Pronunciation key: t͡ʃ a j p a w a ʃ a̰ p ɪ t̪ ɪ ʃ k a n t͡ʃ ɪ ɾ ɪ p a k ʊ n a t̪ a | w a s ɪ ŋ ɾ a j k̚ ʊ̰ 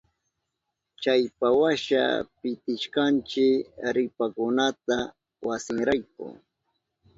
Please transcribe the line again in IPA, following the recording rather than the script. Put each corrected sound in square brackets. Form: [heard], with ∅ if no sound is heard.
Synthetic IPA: t͡ʃ a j p a w a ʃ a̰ p ɪ t̪ ɪ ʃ k a n t͡ʃ ɪ ɾ ɪ p a k ʊ n a t̪ a | w a s ɪ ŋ ɾ a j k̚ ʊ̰